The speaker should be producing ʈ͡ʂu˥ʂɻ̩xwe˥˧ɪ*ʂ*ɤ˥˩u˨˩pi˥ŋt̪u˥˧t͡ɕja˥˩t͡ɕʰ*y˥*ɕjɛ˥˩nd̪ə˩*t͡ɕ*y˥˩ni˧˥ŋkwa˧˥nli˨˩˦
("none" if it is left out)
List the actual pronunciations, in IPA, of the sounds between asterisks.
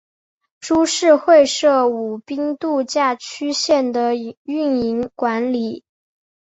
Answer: ʂ, y˥, none

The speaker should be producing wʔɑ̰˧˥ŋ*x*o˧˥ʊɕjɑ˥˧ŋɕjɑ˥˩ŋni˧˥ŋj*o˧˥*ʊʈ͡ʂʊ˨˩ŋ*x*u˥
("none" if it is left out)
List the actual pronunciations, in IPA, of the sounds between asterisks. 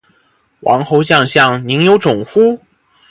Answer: x, o˧˥, x

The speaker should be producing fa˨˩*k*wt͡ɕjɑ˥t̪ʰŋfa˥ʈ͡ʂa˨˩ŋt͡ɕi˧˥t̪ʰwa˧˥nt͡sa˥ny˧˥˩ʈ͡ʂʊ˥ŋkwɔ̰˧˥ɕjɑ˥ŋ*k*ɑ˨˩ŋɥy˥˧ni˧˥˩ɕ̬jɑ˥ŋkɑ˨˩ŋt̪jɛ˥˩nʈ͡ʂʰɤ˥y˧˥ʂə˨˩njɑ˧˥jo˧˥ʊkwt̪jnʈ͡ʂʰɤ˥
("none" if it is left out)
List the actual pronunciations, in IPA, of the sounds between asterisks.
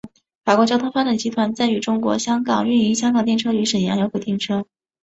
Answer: k, k

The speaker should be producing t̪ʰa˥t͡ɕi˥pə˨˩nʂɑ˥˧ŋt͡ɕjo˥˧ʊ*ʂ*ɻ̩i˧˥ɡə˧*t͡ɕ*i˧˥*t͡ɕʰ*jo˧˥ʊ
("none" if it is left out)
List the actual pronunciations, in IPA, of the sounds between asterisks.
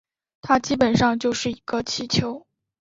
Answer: ʂ, t͡ɕʰ, t͡ɕʰ

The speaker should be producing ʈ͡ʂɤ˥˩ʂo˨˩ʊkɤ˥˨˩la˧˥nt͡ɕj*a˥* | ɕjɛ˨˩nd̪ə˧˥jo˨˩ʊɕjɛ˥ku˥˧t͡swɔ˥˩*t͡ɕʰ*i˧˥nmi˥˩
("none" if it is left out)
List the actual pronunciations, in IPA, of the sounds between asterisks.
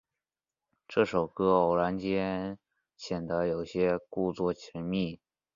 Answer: ɛ˥, t͡ɕʰ

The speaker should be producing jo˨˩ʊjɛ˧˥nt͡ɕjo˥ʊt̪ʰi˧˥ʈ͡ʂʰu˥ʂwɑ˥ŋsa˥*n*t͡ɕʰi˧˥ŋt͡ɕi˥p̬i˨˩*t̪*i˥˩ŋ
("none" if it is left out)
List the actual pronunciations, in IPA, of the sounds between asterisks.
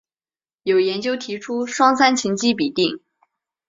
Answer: n, t̪

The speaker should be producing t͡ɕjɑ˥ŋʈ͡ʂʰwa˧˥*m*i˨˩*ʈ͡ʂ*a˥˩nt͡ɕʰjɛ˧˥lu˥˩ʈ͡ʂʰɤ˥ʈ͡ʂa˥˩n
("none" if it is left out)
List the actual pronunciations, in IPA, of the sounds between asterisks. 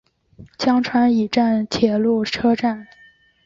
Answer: n, ʈ͡ʂ

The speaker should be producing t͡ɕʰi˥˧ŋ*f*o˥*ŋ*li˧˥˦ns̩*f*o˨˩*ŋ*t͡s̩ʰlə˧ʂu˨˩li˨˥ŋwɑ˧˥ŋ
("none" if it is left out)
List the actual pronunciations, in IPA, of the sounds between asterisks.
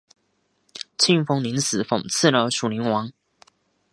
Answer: f, ŋ, f, ŋ

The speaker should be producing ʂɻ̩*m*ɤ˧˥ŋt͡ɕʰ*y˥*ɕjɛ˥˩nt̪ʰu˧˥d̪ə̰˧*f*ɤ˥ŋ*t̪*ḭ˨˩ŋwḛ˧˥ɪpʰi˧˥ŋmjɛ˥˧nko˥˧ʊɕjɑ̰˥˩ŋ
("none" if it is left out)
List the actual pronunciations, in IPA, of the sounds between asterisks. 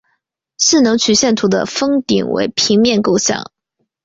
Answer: n, y˨˩, f, t̪

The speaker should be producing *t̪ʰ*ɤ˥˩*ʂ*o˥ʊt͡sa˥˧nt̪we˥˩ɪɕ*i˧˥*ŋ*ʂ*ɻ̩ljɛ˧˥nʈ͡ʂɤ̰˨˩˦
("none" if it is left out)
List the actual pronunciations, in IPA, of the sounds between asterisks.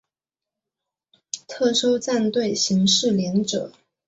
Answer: t̪ʰ, ʂ, i˧˥, ʂ

